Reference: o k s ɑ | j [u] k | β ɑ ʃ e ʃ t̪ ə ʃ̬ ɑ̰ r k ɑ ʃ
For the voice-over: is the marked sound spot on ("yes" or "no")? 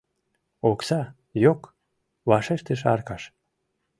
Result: no